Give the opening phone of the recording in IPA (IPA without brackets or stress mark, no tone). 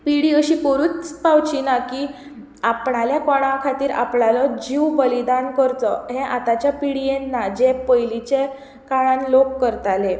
p